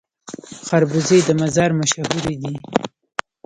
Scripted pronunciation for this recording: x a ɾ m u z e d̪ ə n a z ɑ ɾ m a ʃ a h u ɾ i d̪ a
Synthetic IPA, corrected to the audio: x a ɾ b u z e d̪ ə m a z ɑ ɾ m a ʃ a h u ɾ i d̪ i